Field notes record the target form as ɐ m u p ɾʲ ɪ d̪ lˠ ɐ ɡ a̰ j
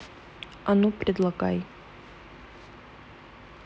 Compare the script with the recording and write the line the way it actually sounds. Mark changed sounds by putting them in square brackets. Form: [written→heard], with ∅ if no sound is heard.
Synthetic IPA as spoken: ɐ [m→n] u p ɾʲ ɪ d̪ lˠ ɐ ɡ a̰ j